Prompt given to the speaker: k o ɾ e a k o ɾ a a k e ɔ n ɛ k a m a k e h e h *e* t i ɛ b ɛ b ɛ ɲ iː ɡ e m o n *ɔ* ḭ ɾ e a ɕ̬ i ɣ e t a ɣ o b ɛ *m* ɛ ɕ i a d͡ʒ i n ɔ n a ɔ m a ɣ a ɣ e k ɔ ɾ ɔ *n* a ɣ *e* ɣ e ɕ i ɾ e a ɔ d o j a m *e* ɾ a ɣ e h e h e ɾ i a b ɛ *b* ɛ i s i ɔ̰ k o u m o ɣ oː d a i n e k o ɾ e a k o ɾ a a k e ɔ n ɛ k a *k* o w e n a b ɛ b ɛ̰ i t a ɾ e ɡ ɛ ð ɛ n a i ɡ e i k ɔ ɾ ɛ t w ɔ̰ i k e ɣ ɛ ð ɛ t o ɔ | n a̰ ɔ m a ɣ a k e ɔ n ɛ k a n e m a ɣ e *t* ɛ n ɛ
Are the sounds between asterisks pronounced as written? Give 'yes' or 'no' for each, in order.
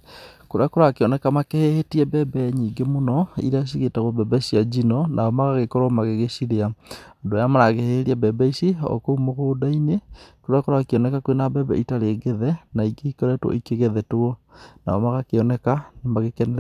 yes, yes, no, no, yes, no, yes, yes, no

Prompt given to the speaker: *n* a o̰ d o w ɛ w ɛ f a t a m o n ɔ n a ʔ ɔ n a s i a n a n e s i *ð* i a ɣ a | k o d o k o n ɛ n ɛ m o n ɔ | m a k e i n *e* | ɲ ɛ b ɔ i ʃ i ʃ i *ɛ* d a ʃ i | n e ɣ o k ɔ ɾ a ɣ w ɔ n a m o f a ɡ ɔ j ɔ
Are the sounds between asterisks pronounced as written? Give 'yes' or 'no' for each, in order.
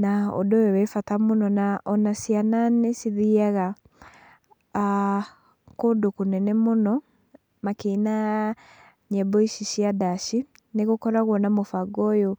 yes, yes, no, no

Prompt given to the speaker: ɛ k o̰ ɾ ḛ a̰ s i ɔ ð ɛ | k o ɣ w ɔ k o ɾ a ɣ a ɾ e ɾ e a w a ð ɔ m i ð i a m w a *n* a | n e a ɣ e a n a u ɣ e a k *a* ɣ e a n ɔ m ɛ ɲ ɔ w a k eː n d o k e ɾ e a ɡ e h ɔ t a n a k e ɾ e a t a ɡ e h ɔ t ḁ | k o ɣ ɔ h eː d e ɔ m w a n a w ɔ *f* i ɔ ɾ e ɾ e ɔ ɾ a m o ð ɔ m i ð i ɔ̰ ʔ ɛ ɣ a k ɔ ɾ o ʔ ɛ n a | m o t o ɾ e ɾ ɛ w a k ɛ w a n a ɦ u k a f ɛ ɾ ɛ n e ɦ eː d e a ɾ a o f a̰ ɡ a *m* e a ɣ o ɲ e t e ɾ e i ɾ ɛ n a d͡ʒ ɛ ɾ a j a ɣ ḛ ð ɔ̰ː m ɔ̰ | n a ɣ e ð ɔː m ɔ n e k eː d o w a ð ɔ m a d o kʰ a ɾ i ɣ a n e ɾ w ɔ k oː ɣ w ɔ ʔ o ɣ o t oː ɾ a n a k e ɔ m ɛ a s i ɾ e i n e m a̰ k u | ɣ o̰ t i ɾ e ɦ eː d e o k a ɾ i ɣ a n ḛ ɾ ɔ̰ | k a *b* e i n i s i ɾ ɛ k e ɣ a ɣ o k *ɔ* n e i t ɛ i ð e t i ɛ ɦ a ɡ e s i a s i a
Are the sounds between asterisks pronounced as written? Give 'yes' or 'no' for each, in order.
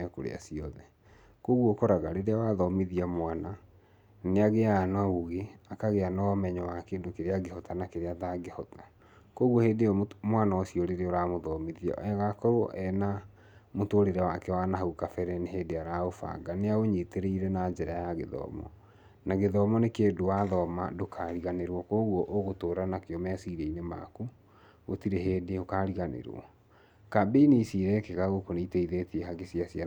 yes, yes, no, no, yes, no

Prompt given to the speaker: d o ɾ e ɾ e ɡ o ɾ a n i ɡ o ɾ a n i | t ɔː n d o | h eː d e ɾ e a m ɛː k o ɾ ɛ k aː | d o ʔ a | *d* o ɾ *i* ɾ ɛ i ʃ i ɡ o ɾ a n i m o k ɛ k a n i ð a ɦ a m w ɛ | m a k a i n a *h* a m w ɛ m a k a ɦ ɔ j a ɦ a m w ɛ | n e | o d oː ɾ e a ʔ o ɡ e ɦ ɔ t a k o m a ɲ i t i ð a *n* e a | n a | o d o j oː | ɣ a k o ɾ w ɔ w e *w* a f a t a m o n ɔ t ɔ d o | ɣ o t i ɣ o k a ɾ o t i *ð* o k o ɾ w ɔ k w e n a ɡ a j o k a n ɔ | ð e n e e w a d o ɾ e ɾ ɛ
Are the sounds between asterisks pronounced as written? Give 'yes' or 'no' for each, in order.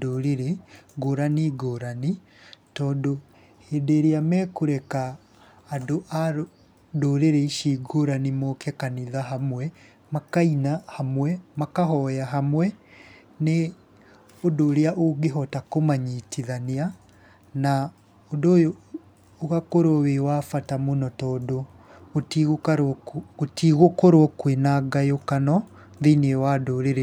yes, no, yes, yes, yes, no

